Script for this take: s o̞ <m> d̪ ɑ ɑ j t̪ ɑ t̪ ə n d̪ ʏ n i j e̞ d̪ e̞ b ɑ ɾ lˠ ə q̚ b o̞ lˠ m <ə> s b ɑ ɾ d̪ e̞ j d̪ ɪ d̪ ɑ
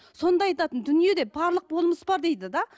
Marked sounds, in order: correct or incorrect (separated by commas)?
incorrect, correct